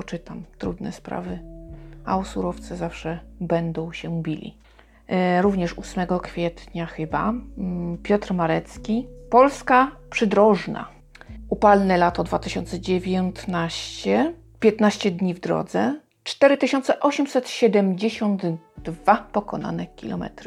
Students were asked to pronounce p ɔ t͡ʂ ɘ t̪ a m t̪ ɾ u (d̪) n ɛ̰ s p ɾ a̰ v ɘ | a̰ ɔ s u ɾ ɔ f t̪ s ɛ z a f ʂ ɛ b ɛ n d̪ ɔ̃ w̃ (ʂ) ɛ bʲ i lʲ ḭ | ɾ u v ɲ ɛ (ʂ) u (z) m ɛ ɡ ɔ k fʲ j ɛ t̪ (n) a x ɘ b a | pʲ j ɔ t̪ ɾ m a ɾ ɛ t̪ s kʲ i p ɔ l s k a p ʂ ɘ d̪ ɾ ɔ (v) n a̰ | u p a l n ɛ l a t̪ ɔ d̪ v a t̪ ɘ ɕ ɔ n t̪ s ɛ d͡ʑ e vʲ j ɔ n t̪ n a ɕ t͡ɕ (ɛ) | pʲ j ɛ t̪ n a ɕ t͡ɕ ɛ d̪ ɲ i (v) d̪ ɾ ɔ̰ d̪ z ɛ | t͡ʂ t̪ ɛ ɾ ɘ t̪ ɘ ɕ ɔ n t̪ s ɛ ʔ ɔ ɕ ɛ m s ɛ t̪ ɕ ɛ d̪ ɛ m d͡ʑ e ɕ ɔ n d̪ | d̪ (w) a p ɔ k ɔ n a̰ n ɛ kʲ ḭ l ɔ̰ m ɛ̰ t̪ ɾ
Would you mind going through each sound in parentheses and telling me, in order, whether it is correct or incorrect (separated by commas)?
correct, incorrect, correct, incorrect, incorrect, incorrect, correct, correct, incorrect